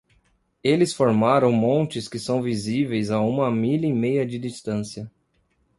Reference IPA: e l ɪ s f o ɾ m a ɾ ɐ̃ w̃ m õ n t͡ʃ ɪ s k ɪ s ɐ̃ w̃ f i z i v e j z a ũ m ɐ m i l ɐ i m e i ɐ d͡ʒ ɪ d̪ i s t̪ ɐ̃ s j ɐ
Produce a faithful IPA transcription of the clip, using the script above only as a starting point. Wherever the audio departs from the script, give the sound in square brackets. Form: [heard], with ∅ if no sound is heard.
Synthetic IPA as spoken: e l ɪ s f o ɾ m a ɾ ɐ̃ w̃ m õ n t͡ʃ ɪ s k ɪ s ɐ̃ w̃ [v] i z i v e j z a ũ m ɐ m i l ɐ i m e [j] ɐ d͡ʒ ɪ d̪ i s t̪ ɐ̃ s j ɐ